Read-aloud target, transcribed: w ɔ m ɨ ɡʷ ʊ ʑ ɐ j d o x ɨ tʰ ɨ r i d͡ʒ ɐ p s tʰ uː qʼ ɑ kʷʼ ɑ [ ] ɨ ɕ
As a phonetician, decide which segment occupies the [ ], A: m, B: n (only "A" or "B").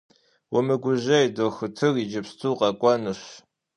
B